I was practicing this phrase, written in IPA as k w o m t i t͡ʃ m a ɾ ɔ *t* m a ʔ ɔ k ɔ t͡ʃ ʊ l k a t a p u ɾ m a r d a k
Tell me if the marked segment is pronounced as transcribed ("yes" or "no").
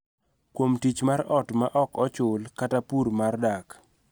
yes